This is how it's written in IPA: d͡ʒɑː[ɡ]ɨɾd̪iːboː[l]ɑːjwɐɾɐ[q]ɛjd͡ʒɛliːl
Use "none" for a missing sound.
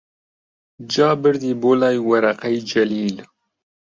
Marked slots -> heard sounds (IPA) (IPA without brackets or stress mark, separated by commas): b, l, q